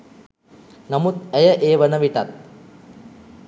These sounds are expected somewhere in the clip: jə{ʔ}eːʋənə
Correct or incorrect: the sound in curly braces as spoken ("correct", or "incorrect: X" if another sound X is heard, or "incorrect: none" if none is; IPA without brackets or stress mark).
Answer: correct